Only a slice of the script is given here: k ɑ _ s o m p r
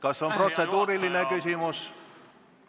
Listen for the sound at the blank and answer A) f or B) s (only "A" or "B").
B